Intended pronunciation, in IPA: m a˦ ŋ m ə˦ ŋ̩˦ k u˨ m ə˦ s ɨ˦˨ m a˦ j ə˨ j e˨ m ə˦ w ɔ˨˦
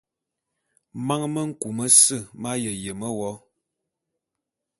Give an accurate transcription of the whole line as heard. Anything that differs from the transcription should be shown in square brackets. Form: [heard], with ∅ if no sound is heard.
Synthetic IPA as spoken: m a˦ ŋ m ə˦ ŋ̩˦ k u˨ m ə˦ s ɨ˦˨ m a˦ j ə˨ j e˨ m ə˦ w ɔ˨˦